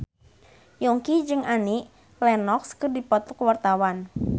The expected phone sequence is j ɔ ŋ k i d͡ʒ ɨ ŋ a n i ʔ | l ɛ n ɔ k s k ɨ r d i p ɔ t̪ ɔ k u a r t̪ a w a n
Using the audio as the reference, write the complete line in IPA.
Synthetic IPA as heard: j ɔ ŋ k i d͡ʒ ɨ ŋ a n i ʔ | l ɛ n ɔ k s k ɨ r d i p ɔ t̪ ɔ k w a r t̪ a w a n